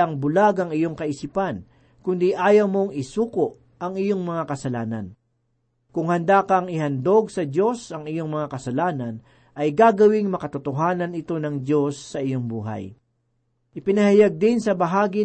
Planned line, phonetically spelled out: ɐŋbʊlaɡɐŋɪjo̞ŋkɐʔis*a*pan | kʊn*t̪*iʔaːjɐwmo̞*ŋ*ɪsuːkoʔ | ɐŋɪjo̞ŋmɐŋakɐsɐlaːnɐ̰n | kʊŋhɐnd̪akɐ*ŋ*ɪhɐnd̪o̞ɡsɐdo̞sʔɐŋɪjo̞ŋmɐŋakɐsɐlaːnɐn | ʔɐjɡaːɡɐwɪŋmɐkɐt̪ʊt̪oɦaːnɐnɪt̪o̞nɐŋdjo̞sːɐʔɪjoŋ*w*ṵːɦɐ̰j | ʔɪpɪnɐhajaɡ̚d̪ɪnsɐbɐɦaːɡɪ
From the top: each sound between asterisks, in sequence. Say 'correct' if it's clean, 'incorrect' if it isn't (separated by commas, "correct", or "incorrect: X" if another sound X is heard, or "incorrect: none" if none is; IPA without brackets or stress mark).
incorrect: i, incorrect: d̪, correct, correct, incorrect: b